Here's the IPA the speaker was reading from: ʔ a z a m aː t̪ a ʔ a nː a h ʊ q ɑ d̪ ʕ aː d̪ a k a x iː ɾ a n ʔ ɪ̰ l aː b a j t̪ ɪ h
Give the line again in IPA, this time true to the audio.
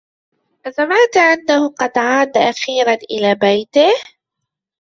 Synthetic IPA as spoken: ʔ a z a m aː t̪ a ʔ a nː a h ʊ q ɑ d̪ ʕ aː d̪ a ʔ a x iː ɾ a n ʔ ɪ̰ l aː b a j t̪ ɪ h